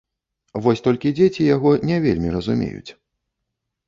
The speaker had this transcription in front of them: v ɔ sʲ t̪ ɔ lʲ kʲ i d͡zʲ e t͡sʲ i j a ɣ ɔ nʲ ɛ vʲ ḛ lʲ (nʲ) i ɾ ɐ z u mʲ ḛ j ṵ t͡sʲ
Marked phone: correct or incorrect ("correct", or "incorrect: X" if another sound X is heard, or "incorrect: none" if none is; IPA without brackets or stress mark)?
incorrect: mʲ